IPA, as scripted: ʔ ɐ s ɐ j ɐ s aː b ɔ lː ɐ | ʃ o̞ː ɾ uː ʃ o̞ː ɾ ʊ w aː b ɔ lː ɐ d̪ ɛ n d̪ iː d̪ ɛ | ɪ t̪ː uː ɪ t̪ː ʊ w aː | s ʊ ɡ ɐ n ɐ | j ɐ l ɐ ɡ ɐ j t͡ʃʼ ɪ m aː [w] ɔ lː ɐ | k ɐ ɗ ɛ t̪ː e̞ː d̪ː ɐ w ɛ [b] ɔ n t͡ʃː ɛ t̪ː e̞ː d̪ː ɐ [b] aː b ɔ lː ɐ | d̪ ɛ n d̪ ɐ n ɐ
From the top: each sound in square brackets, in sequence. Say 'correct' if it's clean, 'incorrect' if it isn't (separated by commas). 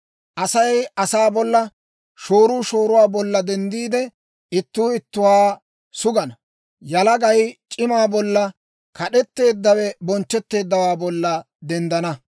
incorrect, correct, incorrect